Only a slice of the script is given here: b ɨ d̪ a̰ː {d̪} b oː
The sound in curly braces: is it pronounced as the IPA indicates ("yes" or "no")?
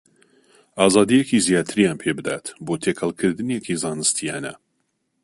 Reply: no